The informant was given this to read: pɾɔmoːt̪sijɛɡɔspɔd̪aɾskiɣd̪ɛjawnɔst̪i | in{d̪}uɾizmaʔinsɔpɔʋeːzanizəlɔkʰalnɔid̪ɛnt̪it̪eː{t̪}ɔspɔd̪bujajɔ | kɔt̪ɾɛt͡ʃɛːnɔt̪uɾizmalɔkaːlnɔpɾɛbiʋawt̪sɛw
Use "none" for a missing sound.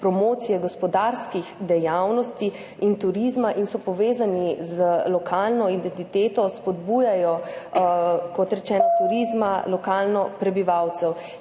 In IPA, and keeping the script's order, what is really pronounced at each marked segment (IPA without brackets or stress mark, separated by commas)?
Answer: t̪, t̪